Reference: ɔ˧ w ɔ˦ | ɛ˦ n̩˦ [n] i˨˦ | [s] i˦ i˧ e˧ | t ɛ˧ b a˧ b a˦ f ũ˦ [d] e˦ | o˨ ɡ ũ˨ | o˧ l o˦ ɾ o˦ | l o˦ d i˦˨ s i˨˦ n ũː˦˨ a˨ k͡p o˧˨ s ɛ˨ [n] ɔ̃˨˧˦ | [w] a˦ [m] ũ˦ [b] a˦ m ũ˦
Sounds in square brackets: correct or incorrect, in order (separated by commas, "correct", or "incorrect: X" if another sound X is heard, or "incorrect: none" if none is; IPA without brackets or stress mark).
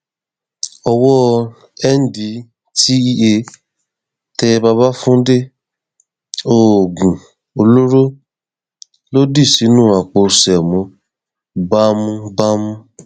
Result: incorrect: d, incorrect: t, correct, incorrect: m, incorrect: b, correct, correct